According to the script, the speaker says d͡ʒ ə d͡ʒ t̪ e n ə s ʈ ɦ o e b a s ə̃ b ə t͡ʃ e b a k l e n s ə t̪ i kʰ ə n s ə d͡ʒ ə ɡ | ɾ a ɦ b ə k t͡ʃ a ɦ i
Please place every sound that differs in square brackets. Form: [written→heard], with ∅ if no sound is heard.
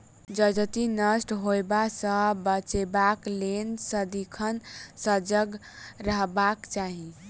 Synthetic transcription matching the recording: d͡ʒ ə d͡ʒ t̪ [e→i] n ə s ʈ ɦ o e b a s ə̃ b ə t͡ʃ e b a k l e n s ə [t̪→d̪] i kʰ ə n s ə d͡ʒ ə ɡ | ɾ [a→ə] ɦ b [ə→a] k t͡ʃ a ɦ i